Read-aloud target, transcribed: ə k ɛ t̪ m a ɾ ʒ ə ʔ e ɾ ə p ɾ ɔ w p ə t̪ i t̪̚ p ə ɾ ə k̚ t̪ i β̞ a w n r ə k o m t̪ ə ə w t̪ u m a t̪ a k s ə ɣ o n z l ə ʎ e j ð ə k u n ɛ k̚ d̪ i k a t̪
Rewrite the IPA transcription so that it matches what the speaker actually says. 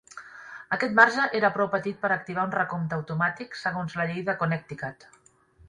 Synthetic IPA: ə k ɛ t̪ m a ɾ ʒ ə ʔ e ɾ ə p ɾ ɔ w p ə t̪ i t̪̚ p ə ɾ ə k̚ t̪ i β̞ a u n r ə k o m t̪ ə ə w t̪ u m a t̪ i k s ə ɣ o n z l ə ʎ e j ð ə k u n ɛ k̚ t̪ i k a t̪